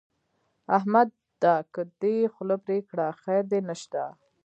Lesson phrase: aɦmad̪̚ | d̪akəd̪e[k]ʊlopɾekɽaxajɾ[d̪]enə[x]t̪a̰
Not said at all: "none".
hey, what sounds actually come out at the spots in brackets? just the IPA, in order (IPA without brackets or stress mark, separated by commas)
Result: x, d̪, ʃ